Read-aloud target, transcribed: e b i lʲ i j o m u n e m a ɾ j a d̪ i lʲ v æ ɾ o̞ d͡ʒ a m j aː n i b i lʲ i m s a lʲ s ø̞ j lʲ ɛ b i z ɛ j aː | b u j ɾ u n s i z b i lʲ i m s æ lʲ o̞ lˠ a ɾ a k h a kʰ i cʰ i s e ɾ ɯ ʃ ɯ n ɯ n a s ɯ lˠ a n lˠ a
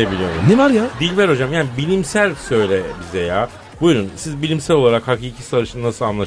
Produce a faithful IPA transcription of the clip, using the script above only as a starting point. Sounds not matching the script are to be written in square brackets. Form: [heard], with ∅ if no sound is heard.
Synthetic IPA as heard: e b i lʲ i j o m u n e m a ɾ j a d̪ i lʲ v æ ɾ o̞ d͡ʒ a m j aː n i b i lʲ i m s [æ] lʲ s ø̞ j lʲ ɛ b i z ɛ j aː | b u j ɾ u n s i z b i lʲ i m s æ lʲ o̞ lˠ a ɾ a k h a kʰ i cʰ i s [a] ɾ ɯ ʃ ɯ n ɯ n a s ɯ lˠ a n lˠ a